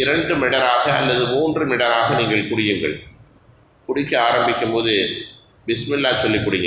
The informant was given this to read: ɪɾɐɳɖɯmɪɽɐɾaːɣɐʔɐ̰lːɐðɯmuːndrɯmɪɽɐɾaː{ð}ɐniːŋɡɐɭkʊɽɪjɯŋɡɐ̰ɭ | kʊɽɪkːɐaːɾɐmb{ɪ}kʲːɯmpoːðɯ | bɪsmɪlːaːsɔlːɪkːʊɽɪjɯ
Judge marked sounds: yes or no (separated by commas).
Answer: no, yes